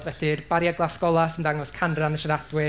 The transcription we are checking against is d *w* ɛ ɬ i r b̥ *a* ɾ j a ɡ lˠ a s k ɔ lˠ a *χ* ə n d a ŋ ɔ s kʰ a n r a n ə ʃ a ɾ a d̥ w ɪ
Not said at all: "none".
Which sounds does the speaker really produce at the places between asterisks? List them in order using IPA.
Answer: v, a, s

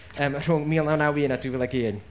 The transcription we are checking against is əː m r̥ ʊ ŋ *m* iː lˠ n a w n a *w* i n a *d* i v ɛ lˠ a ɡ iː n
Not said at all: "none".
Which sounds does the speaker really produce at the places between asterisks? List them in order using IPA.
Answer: m, w, d

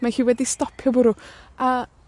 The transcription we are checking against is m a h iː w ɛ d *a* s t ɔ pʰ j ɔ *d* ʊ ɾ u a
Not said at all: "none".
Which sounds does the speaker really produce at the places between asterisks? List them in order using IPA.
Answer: i, b

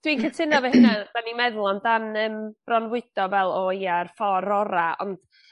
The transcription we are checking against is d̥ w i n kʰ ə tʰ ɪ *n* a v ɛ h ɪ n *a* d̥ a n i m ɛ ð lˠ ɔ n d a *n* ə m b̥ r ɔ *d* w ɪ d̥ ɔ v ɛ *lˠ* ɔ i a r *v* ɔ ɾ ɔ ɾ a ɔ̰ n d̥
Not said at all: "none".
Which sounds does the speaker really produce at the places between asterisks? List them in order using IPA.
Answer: n, a, n, n, lˠ, f

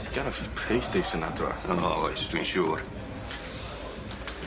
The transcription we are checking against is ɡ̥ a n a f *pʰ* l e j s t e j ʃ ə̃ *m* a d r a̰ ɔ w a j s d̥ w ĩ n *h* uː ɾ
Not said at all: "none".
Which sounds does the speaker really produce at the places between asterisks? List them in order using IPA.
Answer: pʰ, n, ʃ

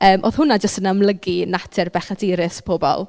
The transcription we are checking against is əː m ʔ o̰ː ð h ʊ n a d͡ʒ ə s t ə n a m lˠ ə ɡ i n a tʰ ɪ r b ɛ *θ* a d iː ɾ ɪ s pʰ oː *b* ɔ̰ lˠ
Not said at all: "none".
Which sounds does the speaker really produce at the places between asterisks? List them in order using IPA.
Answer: χ, b

